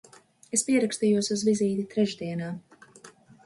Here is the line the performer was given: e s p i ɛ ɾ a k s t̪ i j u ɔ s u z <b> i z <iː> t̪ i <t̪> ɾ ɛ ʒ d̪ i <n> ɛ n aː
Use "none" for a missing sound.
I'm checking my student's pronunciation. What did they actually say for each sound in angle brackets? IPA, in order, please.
v, iː, t̪, none

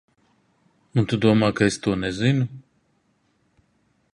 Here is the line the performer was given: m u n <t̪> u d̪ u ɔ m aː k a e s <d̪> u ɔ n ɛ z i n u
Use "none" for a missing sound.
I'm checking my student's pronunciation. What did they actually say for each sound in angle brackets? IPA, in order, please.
t̪, t̪

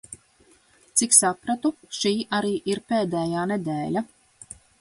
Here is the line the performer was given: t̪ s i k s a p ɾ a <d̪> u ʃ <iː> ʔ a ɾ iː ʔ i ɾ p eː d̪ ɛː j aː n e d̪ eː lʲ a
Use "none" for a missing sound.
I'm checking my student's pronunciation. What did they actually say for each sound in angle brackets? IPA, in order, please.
t̪, iː

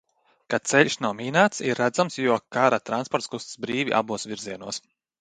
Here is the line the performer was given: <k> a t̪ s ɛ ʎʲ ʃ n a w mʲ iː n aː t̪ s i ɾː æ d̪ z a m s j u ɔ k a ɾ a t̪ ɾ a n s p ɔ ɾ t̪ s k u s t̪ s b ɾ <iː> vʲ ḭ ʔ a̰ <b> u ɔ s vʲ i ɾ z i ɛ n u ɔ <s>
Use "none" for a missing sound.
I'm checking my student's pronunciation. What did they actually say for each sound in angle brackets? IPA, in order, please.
k, iː, b, s

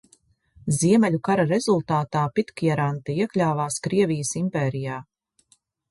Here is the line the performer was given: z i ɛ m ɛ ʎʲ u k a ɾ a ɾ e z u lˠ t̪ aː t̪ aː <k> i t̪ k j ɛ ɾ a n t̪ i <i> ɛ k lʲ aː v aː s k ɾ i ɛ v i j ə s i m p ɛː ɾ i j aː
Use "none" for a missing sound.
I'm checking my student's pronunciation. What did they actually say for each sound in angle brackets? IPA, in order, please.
p, i

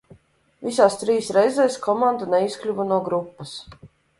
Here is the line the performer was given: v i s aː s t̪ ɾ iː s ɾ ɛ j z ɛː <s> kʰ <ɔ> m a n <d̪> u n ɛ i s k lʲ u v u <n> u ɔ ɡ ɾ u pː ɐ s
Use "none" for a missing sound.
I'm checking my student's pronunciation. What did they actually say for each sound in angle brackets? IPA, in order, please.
s, ɔ, d̪, n

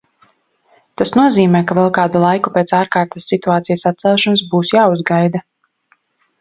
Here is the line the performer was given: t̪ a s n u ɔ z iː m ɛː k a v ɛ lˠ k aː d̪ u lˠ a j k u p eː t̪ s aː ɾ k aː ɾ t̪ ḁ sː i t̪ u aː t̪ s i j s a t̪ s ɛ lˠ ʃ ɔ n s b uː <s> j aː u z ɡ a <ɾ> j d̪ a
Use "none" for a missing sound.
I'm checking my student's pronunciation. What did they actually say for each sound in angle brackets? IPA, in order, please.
s, none

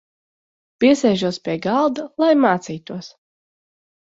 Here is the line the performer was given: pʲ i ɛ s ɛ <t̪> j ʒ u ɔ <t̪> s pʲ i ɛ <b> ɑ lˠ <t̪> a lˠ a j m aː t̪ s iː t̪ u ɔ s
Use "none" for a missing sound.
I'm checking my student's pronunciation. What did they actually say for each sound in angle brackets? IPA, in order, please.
none, none, ɡ, d̪

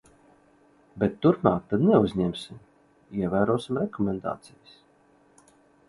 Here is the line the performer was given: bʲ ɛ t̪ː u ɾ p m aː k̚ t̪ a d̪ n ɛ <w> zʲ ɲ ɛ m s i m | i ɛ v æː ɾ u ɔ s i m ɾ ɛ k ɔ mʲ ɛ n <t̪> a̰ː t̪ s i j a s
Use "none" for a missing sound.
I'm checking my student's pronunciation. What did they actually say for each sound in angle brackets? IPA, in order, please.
u, d̪

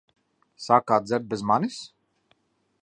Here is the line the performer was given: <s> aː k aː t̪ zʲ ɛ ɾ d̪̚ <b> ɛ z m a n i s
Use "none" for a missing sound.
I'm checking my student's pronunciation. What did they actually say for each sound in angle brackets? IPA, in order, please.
s, b

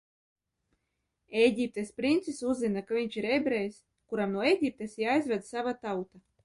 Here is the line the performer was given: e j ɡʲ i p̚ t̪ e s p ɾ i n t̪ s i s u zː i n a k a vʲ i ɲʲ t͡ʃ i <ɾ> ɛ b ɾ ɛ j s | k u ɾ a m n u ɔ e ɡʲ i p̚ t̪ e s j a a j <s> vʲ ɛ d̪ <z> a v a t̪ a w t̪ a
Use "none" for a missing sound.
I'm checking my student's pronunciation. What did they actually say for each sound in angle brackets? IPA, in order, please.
ɾ, z, s

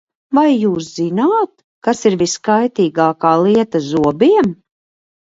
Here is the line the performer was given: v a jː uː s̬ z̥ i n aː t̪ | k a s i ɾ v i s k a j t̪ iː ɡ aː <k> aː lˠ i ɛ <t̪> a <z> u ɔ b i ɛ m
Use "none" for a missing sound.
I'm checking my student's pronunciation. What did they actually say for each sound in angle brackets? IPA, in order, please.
k, t̪, z

